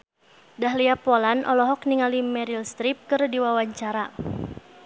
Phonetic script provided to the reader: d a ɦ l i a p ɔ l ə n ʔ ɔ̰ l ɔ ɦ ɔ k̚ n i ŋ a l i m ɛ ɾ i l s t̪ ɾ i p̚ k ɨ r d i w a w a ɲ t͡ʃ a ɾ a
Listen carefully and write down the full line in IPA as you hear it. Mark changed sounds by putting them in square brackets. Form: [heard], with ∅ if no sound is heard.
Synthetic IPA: d a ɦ l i a p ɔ l [a] n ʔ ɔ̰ l ɔ ɦ ɔ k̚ n i ŋ a l i m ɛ ɾ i l s t̪ ɾ i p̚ k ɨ r d i w a w a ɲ t͡ʃ a ɾ a